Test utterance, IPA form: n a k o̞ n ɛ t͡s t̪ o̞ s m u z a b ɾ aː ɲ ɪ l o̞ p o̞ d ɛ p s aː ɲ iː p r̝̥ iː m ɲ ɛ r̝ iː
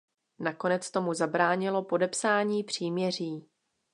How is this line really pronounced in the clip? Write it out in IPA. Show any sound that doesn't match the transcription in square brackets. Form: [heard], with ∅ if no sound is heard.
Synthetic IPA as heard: n a k o̞ n ɛ t͡s t̪ o̞ [∅] m u z a b ɾ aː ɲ ɪ l o̞ p o̞ d ɛ p s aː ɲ iː p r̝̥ iː m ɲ ɛ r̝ iː